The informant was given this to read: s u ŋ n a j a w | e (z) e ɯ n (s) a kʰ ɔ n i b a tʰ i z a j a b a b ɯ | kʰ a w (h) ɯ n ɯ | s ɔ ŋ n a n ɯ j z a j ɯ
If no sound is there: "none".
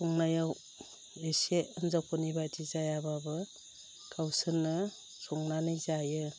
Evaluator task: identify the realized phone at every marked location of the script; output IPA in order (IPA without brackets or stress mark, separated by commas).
s, z, s